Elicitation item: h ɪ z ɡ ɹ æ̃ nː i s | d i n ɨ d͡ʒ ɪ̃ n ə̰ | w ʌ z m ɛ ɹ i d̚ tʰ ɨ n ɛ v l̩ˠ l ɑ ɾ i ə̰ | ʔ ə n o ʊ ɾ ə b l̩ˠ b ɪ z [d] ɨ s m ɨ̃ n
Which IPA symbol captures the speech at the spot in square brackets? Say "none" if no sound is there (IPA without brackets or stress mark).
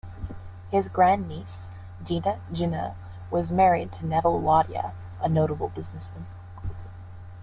n